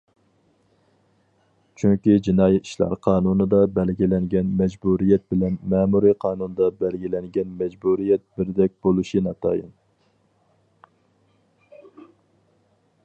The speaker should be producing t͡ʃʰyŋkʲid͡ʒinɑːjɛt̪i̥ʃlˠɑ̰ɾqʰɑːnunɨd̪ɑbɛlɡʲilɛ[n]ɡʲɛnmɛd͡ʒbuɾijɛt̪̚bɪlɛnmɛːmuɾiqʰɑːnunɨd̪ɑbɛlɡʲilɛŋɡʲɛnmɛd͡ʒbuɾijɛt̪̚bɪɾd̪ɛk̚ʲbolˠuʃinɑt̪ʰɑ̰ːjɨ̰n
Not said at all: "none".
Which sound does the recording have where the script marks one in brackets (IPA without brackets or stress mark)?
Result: ŋ